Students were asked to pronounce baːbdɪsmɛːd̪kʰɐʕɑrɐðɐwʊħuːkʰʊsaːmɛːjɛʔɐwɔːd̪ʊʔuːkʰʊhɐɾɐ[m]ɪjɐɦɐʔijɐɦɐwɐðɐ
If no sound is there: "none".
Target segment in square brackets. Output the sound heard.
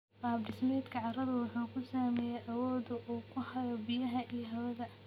b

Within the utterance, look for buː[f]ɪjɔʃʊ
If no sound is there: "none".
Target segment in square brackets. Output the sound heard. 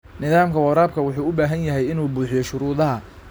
ħ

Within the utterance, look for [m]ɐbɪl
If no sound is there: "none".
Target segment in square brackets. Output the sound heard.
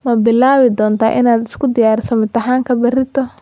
m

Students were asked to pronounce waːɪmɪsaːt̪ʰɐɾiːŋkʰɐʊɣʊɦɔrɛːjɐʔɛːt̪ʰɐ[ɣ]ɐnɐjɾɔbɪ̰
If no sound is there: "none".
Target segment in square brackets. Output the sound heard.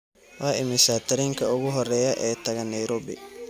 ɣ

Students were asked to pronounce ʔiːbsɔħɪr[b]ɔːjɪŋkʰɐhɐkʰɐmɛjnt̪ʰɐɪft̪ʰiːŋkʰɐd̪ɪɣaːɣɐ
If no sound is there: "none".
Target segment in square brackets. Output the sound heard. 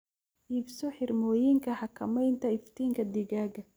m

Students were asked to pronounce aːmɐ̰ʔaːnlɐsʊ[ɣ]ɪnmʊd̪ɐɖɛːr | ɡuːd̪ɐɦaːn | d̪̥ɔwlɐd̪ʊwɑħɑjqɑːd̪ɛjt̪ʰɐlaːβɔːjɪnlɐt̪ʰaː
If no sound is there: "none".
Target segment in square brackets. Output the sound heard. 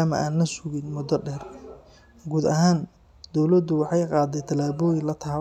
ɣ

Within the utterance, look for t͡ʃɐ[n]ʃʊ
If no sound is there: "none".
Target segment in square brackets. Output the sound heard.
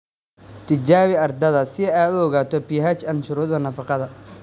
n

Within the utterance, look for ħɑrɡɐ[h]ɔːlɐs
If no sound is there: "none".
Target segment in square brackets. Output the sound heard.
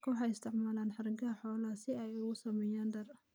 ħ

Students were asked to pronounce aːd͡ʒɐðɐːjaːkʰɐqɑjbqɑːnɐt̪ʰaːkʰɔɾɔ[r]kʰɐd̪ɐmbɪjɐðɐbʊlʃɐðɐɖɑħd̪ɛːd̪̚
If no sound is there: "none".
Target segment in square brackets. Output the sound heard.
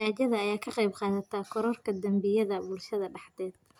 r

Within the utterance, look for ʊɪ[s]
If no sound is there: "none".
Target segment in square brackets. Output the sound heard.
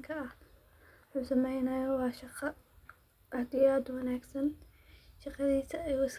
s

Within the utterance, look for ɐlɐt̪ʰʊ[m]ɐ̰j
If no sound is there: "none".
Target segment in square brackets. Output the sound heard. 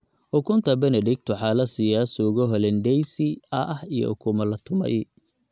m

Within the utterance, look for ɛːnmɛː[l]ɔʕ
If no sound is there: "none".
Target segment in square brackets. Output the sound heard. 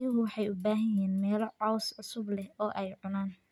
l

